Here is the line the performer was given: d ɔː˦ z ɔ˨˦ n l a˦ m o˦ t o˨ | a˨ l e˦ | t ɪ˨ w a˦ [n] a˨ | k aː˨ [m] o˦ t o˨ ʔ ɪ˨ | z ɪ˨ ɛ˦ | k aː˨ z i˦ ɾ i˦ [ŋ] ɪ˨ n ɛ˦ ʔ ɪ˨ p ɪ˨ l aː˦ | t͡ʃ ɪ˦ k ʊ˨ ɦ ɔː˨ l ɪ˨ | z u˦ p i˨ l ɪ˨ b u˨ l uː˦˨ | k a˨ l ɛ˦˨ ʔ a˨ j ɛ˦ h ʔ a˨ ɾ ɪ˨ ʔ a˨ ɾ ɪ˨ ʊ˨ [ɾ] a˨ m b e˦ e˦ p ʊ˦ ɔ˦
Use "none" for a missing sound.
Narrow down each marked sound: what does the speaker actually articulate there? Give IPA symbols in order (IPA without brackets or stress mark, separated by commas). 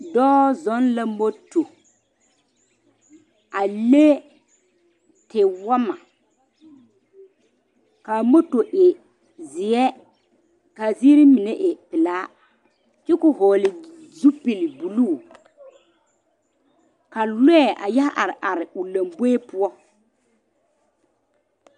m, m, m, l